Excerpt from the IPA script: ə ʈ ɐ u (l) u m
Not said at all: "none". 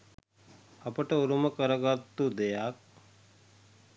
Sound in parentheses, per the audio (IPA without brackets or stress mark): ɾ